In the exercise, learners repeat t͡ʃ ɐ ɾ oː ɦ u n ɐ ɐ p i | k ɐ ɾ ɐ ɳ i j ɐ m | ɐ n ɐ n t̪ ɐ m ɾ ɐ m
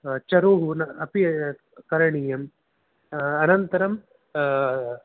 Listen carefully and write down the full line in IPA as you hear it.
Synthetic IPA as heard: t͡ʃ ɐ ɾ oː ɦ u n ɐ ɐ p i | k ɐ ɾ ɐ ɳ i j ɐ m | ɐ n ɐ n t̪ ɐ ɾ ɐ m